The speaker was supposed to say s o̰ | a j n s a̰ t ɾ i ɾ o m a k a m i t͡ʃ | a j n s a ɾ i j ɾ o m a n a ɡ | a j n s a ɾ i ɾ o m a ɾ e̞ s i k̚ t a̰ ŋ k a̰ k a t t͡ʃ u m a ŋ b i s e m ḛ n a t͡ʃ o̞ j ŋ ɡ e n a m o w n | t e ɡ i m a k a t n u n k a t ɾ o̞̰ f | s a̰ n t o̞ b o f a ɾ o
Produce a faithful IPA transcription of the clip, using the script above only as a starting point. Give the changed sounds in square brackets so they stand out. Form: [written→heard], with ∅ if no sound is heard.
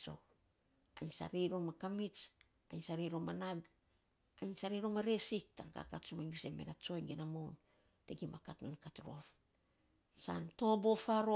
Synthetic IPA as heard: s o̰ | a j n s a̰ [t→∅] ɾ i ɾ o m a k a m i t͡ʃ | a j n s a ɾ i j ɾ o m a n a ɡ | a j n s a ɾ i ɾ o m a ɾ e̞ s i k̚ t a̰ ŋ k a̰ k a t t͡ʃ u m a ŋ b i s e m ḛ n a t͡ʃ o̞ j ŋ ɡ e n a m o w n | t e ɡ i m a k a t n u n k a t ɾ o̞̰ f | s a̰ n t o̞ b o f a ɾ o